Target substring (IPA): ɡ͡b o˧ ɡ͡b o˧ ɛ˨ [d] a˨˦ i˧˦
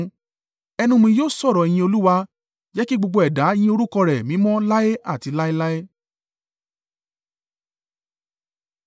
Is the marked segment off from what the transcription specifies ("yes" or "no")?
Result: no